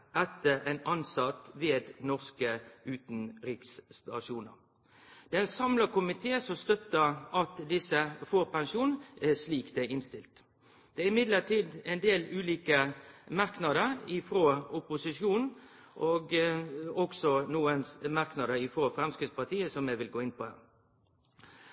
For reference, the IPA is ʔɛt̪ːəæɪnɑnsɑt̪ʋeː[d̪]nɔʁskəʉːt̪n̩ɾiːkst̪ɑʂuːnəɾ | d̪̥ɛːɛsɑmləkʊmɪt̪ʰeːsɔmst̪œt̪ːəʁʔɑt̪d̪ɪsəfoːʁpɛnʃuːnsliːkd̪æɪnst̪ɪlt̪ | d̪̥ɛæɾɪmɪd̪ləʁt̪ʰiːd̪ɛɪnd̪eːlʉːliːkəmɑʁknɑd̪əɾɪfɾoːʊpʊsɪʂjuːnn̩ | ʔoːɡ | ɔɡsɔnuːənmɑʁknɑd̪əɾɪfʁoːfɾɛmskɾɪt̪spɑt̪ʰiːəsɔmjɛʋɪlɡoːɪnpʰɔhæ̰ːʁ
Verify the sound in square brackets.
correct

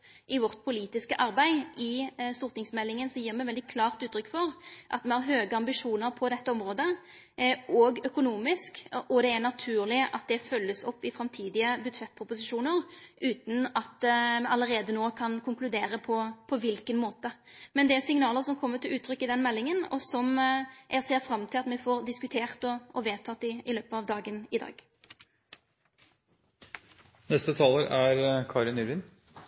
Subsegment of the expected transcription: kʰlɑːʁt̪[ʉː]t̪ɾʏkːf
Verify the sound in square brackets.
correct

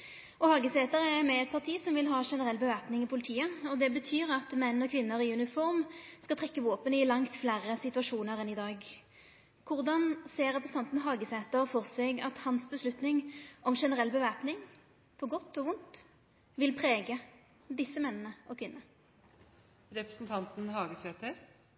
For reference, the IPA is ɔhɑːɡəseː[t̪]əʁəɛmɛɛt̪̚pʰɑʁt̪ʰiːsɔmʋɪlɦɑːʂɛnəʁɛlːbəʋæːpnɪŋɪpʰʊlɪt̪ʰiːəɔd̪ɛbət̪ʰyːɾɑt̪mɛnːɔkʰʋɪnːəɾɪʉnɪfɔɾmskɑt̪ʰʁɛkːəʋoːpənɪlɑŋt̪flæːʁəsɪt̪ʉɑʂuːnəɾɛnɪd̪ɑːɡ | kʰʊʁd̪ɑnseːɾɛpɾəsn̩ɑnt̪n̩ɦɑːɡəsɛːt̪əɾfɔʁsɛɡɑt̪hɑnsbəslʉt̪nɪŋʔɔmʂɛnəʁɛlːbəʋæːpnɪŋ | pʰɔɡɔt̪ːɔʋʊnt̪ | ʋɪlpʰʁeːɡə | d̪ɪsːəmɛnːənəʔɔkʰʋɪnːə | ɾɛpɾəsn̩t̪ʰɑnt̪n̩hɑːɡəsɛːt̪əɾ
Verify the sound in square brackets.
correct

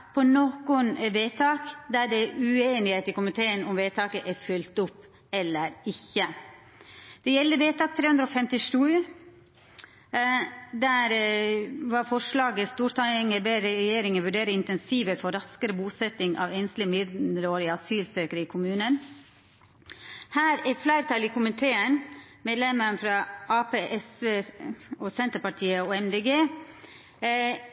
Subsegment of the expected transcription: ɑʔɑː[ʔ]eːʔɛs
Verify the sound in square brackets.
incorrect: p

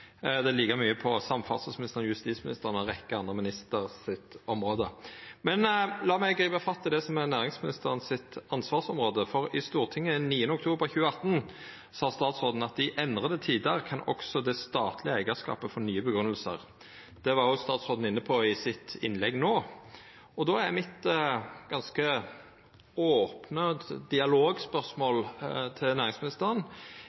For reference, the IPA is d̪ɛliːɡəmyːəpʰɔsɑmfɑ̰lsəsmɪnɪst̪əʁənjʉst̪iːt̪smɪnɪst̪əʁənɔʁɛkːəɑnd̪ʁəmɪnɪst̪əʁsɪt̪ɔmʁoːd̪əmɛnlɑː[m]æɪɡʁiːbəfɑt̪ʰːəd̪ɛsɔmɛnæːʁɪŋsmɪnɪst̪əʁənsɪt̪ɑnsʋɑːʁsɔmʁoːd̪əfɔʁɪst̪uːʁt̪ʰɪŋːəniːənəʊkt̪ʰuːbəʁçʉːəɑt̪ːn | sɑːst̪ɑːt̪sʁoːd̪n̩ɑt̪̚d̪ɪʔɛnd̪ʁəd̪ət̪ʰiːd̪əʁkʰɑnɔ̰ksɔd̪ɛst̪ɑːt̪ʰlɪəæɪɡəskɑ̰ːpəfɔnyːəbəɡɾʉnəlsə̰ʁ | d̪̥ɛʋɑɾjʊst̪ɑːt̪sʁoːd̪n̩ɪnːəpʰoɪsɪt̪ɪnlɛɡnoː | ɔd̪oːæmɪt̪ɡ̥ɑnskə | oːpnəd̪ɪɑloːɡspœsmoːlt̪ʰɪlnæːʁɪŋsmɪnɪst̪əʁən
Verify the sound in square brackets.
correct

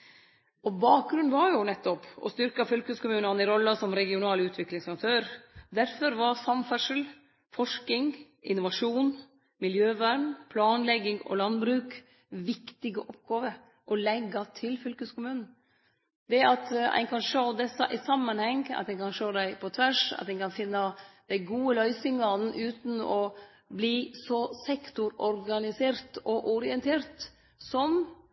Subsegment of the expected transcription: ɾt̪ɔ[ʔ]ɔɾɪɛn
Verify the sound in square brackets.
correct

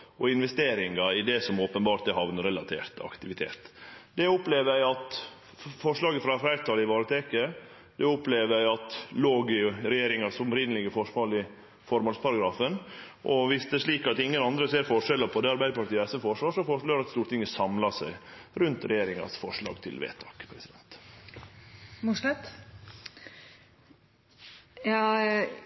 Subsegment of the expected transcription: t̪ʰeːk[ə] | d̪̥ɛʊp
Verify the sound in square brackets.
correct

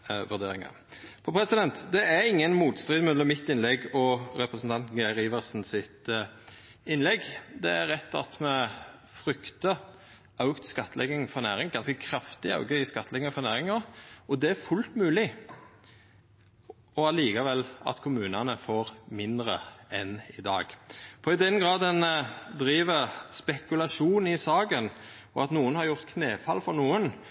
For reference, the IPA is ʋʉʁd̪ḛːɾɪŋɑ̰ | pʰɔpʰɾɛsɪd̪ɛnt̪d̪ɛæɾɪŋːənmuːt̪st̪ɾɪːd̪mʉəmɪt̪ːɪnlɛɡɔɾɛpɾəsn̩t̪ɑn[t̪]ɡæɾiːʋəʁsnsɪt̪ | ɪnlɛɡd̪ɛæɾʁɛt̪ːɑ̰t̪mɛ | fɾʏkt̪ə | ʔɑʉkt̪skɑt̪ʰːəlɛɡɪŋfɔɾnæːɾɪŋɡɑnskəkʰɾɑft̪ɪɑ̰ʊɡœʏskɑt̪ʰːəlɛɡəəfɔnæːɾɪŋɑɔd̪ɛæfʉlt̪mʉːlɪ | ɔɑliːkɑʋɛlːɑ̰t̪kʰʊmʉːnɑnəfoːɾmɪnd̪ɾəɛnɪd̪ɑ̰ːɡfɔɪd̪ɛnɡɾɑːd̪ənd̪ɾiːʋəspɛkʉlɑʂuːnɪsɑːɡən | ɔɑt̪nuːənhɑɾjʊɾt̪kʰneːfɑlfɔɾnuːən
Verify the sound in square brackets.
correct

